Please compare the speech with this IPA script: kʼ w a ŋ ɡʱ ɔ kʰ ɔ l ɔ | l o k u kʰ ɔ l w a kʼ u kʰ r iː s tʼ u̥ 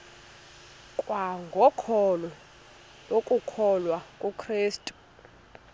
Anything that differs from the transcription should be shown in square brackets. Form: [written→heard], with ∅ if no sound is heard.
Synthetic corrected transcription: kʼ w a ŋ ɡʱ ɔ kʰ ɔ l ɔ | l o [k→kʼ] u kʰ ɔ l w a kʼ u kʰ r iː s tʼ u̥